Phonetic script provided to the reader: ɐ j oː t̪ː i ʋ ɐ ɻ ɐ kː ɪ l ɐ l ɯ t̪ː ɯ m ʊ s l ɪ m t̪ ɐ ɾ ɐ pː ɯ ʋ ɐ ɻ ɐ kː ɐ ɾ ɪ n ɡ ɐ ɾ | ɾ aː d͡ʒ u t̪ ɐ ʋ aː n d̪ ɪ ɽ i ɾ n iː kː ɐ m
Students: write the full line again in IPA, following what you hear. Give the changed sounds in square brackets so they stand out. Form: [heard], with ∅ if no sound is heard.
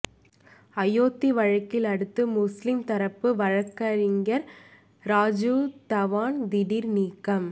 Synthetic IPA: ɐ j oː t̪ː i ʋ ɐ ɻ ɐ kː ɪ l ɐ [ɽ] ɯ t̪ː ɯ m ʊ s l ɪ m t̪ ɐ ɾ ɐ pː ɯ ʋ ɐ ɻ ɐ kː ɐ ɾ ɪ [ŋ] ɡ ɐ ɾ | ɾ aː d͡ʒ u t̪ ɐ ʋ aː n d̪ ɪ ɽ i ɾ n iː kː ɐ m